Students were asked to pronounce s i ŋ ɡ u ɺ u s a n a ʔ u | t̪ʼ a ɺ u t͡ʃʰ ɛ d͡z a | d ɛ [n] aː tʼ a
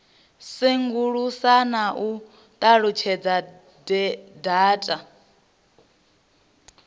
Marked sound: incorrect: d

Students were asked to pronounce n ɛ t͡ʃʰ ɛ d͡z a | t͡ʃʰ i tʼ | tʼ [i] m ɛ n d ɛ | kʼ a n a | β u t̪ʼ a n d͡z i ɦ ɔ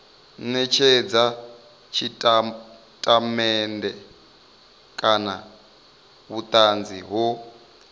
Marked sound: incorrect: a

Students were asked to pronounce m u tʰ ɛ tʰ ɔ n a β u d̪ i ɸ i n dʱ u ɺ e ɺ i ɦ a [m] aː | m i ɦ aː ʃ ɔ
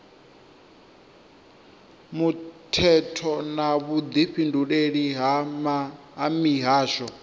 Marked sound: correct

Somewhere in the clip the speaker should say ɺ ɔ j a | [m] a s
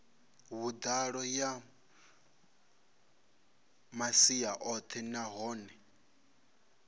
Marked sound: correct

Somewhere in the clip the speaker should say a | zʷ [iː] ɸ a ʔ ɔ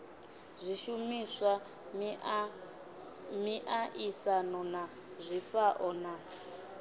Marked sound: incorrect: i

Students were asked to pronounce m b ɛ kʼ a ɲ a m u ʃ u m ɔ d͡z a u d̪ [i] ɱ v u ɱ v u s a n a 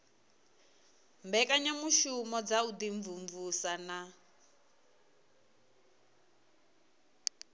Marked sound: correct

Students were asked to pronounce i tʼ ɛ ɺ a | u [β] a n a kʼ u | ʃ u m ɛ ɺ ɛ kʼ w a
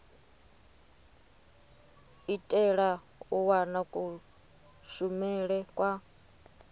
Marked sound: incorrect: w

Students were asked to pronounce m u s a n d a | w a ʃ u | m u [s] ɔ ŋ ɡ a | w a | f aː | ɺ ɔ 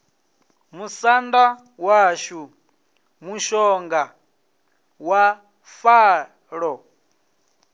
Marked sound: incorrect: ʃ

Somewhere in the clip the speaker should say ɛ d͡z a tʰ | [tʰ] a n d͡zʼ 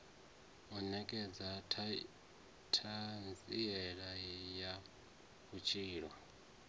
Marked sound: correct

